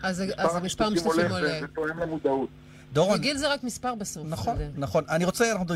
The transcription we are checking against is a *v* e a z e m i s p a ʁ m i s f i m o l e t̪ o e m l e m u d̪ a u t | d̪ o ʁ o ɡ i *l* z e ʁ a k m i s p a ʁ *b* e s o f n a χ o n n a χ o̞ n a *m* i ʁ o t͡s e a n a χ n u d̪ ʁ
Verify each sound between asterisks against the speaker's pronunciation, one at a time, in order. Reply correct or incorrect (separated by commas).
incorrect, correct, correct, incorrect